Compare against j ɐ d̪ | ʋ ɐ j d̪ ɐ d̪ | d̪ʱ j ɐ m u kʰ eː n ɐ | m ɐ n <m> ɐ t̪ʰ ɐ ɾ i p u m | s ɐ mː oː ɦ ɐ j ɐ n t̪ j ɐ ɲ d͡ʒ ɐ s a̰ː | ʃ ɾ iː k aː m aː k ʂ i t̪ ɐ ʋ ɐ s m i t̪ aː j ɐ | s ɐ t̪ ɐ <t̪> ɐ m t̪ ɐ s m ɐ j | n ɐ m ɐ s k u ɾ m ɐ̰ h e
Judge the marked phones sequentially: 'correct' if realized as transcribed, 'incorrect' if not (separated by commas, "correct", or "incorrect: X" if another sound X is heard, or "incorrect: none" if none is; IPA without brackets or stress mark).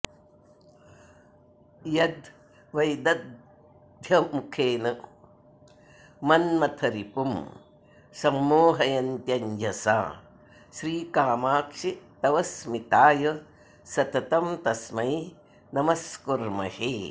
correct, correct